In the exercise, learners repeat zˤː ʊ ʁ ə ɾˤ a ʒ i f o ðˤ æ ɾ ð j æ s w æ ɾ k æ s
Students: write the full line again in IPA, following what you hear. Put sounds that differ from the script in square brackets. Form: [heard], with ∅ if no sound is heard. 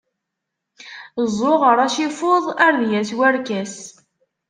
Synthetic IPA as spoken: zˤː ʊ ʁ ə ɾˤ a [ʃ] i f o ðˤ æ ɾ ð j æ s w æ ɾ k æ s